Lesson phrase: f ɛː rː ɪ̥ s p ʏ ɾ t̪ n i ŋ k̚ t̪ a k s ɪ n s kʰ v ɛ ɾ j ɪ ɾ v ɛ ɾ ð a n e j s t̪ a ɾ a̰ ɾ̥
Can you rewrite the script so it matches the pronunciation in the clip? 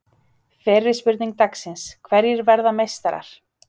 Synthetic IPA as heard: f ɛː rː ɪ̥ s p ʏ ɾ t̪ n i ŋ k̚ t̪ a k s ɪ n s kʰ v ɛ ɾ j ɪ ɾ v ɛ ɾ ð a m e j s t̪ a ɾ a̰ ɾ̥